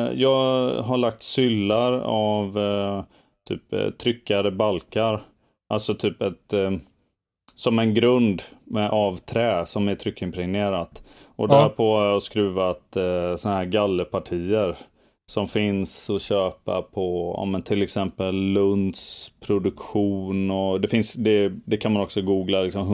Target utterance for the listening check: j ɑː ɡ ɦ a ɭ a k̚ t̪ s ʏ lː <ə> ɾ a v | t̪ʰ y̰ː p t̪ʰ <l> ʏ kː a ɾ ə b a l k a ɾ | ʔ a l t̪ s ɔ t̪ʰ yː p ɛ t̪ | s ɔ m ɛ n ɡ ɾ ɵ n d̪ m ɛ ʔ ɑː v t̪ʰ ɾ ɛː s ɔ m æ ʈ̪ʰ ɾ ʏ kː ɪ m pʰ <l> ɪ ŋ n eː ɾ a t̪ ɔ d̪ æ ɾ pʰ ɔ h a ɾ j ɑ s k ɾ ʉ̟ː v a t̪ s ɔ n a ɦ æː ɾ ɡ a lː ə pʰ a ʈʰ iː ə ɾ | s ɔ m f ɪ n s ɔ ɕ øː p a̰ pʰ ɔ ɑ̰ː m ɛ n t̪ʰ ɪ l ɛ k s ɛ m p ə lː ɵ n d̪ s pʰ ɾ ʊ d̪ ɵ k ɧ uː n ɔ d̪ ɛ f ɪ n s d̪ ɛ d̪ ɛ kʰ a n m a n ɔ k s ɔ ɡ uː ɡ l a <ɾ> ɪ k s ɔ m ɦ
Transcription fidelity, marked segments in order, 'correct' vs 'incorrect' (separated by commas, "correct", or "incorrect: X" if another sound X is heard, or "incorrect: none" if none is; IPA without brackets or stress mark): incorrect: a, incorrect: ɾ, incorrect: ɾ, incorrect: l